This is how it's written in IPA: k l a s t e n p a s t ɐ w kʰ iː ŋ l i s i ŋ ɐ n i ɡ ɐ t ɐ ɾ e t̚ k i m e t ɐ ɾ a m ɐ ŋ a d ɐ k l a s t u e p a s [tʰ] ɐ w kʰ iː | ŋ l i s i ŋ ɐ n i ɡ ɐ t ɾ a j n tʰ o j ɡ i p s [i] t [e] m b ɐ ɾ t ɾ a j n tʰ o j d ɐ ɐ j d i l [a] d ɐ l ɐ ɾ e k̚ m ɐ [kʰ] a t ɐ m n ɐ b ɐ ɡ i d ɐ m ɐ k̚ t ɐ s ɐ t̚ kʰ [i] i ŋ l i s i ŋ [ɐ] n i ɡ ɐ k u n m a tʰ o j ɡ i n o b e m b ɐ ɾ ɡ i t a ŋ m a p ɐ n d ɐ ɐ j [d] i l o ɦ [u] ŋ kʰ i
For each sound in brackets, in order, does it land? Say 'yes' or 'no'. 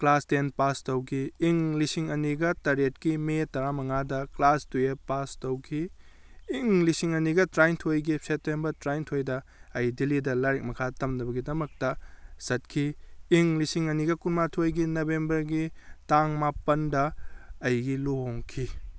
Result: no, no, yes, no, yes, yes, yes, no, no

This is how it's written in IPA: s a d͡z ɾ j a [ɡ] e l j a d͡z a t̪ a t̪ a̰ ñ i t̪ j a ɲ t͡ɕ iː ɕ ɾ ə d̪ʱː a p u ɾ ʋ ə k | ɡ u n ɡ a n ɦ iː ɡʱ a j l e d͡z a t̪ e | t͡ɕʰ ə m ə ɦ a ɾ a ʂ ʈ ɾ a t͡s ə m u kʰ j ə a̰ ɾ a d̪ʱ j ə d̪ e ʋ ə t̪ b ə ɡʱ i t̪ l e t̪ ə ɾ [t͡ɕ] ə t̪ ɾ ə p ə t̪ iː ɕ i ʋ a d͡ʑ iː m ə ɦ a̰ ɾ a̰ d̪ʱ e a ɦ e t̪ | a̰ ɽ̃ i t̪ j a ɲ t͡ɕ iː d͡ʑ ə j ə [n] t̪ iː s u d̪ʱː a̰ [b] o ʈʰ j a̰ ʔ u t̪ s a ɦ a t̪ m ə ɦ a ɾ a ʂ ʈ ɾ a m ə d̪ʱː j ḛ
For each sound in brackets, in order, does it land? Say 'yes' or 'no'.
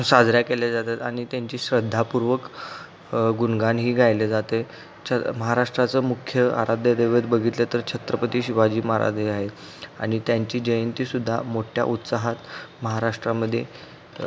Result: no, no, yes, no

